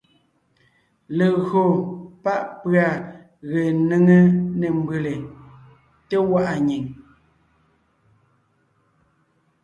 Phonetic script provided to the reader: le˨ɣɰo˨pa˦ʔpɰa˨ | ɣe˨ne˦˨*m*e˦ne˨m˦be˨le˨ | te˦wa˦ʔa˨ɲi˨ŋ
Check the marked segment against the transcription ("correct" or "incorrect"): incorrect